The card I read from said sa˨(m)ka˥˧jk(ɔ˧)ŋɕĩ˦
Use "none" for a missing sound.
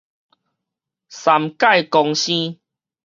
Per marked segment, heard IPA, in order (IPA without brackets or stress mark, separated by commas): m, ɔ˧